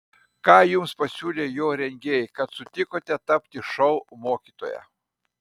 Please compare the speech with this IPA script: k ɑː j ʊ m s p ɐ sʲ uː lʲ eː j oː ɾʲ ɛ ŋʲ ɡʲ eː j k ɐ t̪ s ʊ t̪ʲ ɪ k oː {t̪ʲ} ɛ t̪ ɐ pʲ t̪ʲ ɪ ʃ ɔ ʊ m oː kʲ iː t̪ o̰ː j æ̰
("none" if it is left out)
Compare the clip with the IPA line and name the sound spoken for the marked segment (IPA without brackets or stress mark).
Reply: t̪ʲ